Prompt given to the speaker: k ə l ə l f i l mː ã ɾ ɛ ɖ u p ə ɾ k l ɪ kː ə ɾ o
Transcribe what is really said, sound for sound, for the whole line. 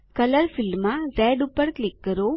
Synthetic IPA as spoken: k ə l ə ɾ f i l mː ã ɾ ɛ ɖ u p ə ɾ k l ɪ kː ə ɾ o